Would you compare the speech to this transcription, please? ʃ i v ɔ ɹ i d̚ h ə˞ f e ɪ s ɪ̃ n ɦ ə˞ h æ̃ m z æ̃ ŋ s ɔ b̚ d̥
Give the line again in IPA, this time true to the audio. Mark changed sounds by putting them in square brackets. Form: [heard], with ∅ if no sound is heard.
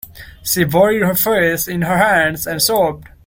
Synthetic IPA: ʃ i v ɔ ɹ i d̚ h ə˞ f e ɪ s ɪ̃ n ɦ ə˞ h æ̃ [n] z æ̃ [n] s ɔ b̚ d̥

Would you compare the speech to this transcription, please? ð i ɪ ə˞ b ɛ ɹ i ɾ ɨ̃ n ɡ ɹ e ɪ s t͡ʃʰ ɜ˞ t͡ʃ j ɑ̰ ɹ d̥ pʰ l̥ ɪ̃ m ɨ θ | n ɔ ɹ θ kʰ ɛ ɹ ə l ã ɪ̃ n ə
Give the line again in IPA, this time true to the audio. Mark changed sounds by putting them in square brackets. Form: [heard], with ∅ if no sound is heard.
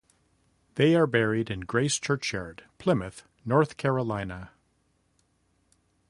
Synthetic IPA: ð [e] ɪ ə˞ b ɛ ɹ i ɾ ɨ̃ n ɡ ɹ e ɪ s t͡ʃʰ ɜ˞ t͡ʃ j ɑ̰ ɹ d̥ pʰ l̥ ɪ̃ m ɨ θ | n ɔ ɹ θ kʰ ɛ ɹ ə l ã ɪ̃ n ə

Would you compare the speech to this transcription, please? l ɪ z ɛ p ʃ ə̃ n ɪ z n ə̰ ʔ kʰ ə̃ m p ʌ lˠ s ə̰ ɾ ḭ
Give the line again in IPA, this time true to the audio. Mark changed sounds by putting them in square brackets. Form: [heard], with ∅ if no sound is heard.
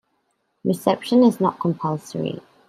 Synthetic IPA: [ɹ] ɪ [s] ɛ p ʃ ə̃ n ɪ z n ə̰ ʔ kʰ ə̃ m [pʰ] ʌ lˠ s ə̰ [ɹ] ḭ

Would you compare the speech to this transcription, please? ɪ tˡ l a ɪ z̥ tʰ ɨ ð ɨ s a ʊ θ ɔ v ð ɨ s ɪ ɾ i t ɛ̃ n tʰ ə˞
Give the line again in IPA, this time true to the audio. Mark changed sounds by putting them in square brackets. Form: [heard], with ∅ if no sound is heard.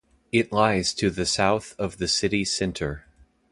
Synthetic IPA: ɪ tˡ l a ɪ z̥ tʰ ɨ ð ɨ s a ʊ θ [ʌ] v ð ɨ s ɪ ɾ i [s] ɛ̃ n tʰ ə˞

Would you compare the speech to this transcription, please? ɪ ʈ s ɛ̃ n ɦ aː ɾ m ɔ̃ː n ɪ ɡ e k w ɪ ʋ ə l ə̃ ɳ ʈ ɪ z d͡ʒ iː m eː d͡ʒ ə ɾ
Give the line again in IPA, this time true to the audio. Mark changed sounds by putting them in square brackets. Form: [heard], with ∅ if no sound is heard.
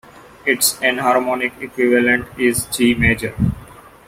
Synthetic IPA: ɪ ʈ s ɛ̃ n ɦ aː ɾ m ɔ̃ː n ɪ [k] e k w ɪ ʋ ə l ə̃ ɳ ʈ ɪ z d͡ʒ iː m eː d͡ʒ ə ɾ

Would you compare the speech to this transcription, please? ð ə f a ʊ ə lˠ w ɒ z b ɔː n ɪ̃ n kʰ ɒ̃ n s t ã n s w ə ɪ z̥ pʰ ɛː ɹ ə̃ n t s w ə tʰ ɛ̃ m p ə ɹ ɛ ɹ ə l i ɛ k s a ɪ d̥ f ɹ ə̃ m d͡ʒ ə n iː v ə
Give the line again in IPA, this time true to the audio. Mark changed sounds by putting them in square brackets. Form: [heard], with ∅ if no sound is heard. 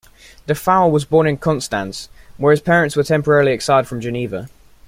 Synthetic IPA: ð ə f a ʊ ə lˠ w ɒ z b ɔː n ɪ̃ n kʰ ɒ̃ n s t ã n s w ə ɪ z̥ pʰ ɛː ɹ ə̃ n t s w ə tʰ ɛ̃ m p ə ɹ ɛ ɹ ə l i ɛ k s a ɪ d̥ f ɹ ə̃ m d͡ʒ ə n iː v ə

